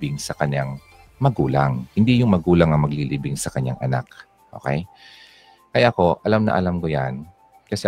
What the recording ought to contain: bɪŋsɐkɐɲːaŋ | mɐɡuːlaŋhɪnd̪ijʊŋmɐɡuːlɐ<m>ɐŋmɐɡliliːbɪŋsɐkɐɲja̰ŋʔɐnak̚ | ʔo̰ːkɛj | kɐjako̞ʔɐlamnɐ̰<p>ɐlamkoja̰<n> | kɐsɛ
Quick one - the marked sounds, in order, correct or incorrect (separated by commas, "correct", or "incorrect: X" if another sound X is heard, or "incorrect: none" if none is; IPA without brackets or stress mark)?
incorrect: ŋ, incorrect: ʔ, correct